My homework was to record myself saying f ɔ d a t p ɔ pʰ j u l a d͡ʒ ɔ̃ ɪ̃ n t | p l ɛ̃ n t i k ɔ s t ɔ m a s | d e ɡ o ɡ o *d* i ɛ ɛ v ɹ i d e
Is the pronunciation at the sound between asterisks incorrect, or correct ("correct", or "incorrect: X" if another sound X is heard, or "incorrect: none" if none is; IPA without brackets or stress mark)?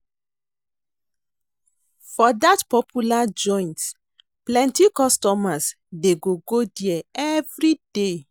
correct